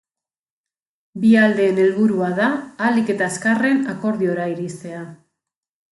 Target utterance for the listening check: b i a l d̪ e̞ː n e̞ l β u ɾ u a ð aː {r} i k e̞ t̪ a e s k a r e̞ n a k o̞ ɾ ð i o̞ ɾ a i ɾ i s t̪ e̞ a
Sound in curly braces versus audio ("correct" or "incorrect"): incorrect